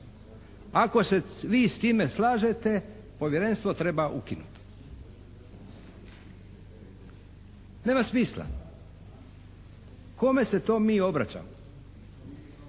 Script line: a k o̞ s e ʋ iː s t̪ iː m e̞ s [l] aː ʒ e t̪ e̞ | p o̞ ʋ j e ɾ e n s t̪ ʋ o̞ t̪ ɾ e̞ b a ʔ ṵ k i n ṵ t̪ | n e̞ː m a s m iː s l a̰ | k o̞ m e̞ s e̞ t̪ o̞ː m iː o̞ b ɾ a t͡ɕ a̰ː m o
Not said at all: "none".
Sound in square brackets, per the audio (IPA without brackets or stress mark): l